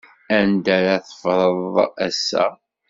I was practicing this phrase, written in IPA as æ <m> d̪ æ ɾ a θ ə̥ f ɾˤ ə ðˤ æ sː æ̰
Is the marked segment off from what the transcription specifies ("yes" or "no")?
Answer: yes